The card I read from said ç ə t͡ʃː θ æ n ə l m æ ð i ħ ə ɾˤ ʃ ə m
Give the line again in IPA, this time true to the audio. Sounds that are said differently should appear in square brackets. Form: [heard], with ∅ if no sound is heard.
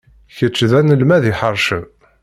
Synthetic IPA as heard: ç ə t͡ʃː [ð] æ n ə l m æ ð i ħ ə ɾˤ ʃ ə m